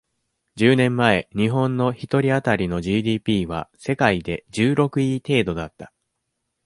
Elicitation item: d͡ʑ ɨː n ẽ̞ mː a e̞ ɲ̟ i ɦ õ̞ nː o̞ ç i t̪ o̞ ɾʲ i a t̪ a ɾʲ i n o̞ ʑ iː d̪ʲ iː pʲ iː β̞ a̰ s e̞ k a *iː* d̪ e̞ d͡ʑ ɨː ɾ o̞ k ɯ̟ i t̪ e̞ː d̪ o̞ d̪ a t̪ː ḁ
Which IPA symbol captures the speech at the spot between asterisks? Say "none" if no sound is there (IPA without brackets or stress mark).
i